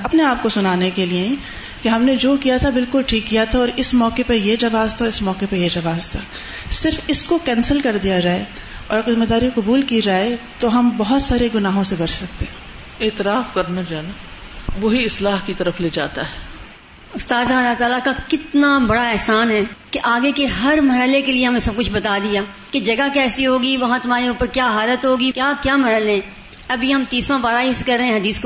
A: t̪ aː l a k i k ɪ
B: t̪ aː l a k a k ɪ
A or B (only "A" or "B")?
B